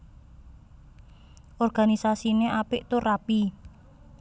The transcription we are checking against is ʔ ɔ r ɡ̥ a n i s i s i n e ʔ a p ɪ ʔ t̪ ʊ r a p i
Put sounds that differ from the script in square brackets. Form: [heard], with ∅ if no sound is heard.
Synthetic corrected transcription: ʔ ɔ r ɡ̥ a n i s [a] s i n e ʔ a p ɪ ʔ t̪ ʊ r a p i